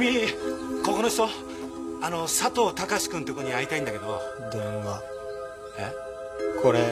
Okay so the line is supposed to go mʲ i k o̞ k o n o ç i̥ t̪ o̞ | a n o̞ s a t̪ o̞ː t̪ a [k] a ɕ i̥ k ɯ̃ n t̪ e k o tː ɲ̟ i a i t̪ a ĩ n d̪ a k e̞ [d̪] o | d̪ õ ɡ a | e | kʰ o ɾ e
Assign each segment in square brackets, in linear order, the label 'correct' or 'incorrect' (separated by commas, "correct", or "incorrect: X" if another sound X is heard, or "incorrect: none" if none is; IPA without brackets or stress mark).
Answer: correct, correct